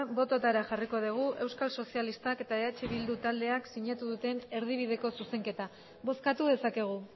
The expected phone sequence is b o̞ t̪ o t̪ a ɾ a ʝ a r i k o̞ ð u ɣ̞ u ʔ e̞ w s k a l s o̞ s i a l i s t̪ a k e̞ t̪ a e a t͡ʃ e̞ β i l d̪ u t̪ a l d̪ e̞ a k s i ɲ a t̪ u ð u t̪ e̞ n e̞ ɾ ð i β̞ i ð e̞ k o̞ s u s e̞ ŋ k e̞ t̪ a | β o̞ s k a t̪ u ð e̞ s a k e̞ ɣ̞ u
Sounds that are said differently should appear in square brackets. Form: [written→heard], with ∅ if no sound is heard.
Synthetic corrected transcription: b o̞ t̪ o t̪ a ɾ a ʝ a r i k o̞ ð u ɣ̞ u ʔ e̞ w s k a l s o̞ s i a l i s t̪ a k e̞ t̪ a e a t͡ʃ e̞ β i l d̪ u t̪ a l d̪ e̞ a k s i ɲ a t̪ u ð u t̪ e̞ n e̞ ɾ ð i β̞ i ð e̞ k o̞ s u s e̞ ŋ k e̞ t̪ a | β o̞ s k a t̪ u ð e̞ s a k e̞ ɣ̞ u